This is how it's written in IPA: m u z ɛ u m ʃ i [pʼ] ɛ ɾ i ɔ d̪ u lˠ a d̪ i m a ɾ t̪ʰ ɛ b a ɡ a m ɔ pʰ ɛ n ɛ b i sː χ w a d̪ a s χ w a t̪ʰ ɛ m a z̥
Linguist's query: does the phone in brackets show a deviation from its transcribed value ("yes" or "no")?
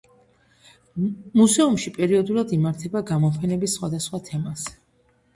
no